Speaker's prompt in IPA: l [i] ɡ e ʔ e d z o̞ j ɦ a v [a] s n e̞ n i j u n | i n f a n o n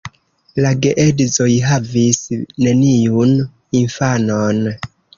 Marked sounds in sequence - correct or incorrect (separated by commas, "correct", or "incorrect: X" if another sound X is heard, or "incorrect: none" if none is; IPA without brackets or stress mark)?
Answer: incorrect: a, incorrect: i